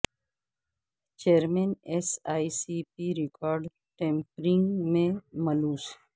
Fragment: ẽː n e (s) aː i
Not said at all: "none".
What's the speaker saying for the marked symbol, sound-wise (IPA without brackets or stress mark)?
s